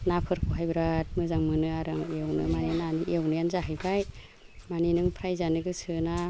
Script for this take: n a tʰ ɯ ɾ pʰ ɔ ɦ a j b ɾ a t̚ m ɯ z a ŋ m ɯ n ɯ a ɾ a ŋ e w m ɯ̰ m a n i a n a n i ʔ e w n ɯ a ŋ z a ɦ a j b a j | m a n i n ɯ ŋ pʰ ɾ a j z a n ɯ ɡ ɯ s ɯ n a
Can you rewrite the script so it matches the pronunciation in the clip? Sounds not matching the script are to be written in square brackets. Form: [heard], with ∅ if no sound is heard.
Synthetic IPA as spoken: n a [pʰ] ɯ ɾ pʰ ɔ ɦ a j b ɾ a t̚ m ɯ z a ŋ m ɯ n ɯ a ɾ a ŋ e w [n] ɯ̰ m a n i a n a n i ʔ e w n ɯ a [n] z a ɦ a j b a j | m a n i n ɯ ŋ pʰ ɾ a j z a n ɯ ɡ ɯ s ɯ n a